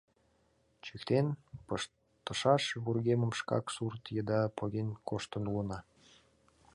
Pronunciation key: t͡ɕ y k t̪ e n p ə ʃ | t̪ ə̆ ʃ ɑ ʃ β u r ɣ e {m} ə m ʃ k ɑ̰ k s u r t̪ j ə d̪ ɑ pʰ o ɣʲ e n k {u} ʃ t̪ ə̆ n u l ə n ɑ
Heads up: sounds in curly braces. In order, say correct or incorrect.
correct, incorrect: o

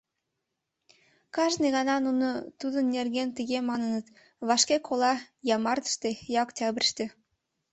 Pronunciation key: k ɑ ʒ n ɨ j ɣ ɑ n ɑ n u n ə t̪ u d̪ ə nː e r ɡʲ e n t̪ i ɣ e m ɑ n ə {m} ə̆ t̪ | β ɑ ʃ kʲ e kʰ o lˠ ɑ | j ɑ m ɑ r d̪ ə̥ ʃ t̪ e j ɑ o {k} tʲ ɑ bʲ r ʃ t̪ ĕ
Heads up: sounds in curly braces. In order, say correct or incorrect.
incorrect: n, correct

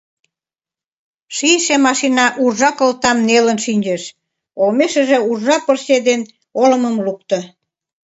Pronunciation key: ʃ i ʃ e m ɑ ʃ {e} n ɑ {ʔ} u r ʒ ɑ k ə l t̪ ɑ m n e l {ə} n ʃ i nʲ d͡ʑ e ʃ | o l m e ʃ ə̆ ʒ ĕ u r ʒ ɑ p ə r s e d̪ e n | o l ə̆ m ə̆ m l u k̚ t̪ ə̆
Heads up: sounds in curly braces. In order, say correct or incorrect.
incorrect: i, correct, correct

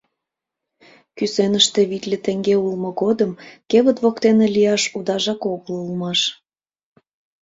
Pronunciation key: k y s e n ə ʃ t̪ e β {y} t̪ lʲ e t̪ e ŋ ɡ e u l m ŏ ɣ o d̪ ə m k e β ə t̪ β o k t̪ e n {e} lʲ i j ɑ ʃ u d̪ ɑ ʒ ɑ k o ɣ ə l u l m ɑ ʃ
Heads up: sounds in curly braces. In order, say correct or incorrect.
incorrect: i, correct

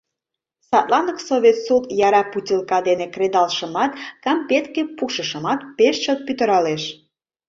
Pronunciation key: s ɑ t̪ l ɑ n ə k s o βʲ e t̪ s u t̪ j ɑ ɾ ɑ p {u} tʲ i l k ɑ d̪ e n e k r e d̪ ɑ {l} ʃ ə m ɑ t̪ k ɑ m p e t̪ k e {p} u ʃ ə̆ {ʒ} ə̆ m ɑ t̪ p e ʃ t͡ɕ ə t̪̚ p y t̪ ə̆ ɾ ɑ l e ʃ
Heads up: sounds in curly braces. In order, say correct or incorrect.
correct, correct, correct, incorrect: ʃ

